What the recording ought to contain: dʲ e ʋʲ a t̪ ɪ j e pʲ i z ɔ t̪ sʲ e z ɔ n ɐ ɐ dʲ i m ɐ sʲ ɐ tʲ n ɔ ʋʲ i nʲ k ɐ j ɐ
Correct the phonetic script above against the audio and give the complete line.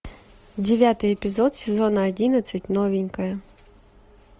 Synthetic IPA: dʲ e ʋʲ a t̪ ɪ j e pʲ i z ɔ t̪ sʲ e z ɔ n ɐ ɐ dʲ i n ɐ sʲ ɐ tʲ n ɔ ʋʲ i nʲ k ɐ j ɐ